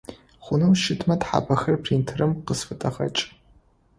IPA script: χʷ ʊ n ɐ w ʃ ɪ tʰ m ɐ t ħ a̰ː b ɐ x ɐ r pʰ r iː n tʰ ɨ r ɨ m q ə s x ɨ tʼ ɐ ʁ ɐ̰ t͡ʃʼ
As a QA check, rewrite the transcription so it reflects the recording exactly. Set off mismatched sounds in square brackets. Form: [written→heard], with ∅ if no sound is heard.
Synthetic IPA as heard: χʷ ʊ n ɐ w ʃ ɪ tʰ m ɐ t ħ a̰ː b ɐ x ɐ r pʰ r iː n tʰ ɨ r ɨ m q ə s [x→f] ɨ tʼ ɐ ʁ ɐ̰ t͡ʃʼ